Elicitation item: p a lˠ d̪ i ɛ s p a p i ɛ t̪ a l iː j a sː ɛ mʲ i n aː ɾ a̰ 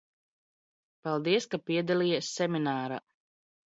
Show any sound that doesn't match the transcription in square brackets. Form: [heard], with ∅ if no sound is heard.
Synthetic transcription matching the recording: p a lˠ d̪ i ɛ s [k] a p i ɛ [d̪] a l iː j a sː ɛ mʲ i n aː ɾ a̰